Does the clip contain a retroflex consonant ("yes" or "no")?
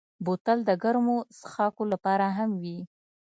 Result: no